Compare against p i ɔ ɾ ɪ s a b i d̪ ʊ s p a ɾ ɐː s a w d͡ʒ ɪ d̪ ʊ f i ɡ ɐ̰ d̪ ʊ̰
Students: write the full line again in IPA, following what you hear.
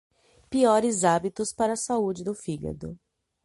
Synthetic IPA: p i ɔ ɾ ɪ z a b i t̪ ʊ s p a ɾ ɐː s a u d͡ʒ ɪ d̪ ʊ f i ɡ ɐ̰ d̪ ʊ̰